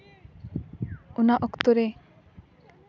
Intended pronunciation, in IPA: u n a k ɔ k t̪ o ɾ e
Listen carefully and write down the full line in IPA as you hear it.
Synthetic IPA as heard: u n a ʔ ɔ k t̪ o ɾ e